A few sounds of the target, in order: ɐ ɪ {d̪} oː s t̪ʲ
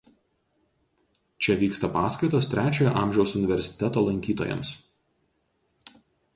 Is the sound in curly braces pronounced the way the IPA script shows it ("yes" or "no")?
no